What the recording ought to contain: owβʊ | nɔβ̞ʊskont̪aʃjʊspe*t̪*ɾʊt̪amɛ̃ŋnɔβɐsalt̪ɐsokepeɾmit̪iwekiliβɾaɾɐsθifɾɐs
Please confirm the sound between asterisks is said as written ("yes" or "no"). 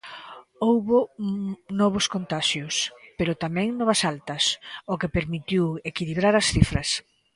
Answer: no